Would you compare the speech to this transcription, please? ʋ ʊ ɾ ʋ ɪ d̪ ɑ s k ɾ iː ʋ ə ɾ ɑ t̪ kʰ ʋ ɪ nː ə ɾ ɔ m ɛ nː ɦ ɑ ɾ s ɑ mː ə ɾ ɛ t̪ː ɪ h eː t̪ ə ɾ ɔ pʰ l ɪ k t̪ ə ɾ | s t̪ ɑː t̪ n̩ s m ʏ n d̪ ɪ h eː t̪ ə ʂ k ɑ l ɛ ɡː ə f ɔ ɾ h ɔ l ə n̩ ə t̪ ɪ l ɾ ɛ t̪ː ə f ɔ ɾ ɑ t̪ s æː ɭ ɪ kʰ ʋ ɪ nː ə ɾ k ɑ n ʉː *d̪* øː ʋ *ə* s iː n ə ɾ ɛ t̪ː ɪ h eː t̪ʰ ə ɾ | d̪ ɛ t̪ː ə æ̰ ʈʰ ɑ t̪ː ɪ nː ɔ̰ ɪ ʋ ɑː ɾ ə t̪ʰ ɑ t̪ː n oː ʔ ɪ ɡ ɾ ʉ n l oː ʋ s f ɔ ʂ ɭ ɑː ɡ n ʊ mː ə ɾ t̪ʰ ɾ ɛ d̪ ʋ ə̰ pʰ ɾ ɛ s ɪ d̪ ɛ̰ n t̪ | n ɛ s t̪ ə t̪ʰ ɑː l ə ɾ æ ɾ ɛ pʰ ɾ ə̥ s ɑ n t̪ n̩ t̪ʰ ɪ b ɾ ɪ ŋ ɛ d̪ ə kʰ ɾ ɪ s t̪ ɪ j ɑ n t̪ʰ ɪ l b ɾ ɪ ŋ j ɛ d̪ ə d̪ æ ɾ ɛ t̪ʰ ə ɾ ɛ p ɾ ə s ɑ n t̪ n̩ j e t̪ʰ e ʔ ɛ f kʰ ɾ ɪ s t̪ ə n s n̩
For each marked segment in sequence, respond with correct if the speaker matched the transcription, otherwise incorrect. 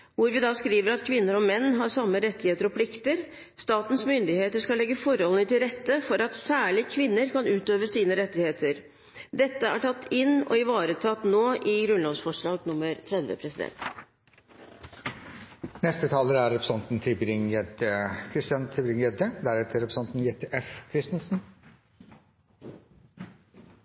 incorrect, correct

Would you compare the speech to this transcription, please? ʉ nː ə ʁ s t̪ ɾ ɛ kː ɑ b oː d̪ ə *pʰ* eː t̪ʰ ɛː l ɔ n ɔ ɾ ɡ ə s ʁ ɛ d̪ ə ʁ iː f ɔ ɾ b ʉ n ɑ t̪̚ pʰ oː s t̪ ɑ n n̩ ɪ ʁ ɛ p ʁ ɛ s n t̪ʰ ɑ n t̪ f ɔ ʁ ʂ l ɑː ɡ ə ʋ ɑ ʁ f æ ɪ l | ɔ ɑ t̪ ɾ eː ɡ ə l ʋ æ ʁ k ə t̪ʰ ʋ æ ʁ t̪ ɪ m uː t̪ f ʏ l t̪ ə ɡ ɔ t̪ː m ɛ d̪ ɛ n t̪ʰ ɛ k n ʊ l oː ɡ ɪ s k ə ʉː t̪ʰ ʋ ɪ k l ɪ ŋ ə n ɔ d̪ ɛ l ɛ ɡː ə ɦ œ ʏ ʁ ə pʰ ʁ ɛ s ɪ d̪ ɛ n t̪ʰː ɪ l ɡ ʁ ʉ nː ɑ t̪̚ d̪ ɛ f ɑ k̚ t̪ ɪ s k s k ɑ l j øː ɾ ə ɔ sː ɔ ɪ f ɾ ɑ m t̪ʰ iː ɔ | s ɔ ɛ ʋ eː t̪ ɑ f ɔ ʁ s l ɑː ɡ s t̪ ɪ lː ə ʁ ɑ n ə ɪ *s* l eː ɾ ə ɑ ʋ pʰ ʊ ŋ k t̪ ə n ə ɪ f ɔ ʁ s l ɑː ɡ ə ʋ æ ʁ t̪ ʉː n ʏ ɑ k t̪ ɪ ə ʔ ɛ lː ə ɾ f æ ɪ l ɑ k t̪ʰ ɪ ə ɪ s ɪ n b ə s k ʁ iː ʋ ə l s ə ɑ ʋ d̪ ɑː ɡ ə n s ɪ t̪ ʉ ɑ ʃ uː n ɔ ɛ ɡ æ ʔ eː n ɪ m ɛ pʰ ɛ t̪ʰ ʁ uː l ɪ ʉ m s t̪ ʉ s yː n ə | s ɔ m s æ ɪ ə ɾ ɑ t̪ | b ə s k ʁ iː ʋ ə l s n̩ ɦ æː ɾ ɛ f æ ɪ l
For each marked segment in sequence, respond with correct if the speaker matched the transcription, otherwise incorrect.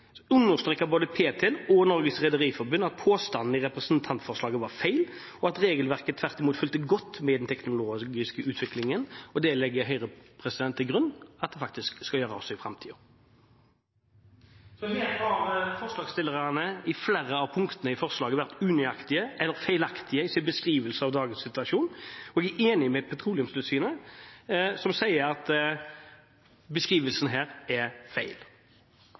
correct, incorrect

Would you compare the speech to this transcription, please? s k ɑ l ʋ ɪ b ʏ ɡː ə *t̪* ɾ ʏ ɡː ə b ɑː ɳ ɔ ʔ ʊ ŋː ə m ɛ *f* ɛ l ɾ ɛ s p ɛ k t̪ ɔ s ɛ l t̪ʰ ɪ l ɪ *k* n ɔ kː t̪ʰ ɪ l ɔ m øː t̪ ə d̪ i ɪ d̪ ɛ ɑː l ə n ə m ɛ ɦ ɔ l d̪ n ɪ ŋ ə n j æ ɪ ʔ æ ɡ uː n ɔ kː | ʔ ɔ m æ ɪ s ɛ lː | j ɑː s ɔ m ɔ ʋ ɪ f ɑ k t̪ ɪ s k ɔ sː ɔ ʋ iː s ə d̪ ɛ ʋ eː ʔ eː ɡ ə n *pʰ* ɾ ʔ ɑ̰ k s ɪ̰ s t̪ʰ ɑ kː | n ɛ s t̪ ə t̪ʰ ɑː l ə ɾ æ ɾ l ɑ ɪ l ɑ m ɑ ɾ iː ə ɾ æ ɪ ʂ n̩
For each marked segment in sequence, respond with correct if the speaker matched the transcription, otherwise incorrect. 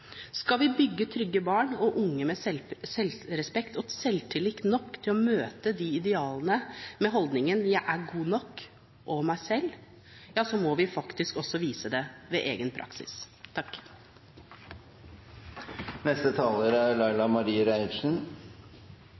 incorrect, incorrect, correct, correct

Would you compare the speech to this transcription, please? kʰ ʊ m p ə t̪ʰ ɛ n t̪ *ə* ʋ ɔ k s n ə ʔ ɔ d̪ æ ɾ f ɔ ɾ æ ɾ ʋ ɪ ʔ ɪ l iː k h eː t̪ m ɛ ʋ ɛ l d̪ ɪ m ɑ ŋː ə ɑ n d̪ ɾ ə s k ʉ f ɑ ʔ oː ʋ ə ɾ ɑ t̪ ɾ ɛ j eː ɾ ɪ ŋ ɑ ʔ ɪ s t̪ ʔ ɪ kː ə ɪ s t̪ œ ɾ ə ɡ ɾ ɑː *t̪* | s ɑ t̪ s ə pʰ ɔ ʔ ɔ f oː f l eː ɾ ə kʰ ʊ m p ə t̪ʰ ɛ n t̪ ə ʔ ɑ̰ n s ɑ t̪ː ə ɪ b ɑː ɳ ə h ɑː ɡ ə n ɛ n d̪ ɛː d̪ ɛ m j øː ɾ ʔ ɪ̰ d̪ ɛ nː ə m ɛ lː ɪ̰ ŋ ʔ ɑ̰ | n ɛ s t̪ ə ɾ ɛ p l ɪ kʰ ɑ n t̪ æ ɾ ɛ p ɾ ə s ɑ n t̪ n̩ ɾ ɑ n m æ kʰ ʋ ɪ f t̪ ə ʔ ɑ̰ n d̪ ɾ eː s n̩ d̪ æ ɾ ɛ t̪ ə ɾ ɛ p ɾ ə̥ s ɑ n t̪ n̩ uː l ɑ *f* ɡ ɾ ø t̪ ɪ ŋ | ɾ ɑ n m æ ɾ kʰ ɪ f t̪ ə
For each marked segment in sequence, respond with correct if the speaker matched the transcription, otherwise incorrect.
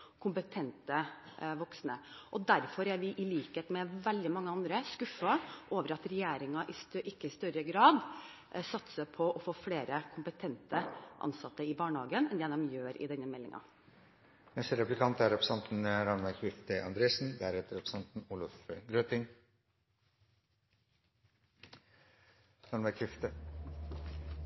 correct, incorrect, correct

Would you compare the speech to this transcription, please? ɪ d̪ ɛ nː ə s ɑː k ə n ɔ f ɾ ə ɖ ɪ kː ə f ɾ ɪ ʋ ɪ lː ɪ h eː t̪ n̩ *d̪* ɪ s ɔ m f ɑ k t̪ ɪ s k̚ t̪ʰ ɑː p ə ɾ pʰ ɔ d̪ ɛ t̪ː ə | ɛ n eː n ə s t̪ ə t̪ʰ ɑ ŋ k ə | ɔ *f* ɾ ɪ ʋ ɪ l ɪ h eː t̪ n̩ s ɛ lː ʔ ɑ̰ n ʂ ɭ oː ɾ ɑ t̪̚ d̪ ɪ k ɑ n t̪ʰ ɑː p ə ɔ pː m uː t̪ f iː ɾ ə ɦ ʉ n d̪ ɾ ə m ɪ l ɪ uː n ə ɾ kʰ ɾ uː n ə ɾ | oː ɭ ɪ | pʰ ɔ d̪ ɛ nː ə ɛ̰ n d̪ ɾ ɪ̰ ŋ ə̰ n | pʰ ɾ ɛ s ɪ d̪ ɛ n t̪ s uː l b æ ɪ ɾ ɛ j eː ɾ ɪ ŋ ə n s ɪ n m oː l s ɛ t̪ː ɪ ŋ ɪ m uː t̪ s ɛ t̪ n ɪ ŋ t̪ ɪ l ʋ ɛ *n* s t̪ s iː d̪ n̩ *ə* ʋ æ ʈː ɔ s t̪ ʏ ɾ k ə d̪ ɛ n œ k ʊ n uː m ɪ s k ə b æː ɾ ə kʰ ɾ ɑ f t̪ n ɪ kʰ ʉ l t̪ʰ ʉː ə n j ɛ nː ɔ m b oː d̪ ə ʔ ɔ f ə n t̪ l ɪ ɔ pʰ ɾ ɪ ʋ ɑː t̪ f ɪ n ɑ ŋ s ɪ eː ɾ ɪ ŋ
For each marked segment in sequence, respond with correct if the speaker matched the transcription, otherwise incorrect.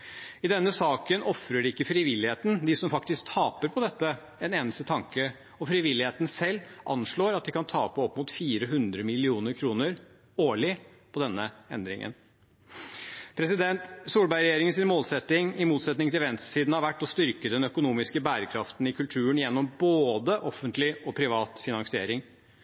correct, correct, correct, incorrect

